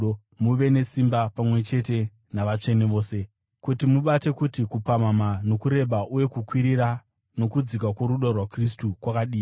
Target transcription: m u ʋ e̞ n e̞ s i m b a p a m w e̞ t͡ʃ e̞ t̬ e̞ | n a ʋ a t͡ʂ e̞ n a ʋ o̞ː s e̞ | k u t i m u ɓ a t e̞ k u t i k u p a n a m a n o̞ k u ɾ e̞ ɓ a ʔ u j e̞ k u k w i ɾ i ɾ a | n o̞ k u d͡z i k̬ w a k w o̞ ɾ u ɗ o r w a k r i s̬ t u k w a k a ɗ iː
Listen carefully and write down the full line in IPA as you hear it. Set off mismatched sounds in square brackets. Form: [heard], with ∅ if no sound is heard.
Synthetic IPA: m u ʋ e̞ n e̞ s i m b a p a m w e̞ t͡ʃ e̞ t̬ e̞ | n a ʋ a t͡ʂ e̞ n [e] ʋ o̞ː s e̞ | k u t i m u ɓ a t e̞ k u t i k u p a [m] a m a n o̞ k u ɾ e̞ ɓ a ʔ u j e̞ k u k w i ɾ i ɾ a | n o̞ k u d͡z i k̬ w a k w o̞ ɾ u ɗ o r w a k r i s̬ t u k w a k a ɗ iː